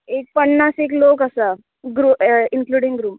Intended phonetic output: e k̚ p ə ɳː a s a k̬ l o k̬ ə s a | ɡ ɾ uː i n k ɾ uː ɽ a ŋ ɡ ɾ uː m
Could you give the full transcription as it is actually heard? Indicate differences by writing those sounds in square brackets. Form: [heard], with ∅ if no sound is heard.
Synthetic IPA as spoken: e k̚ p ə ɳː a s [e] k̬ l o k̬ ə s a | ɡ ɾ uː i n k [l] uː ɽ [i] ŋ ɡ ɾ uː m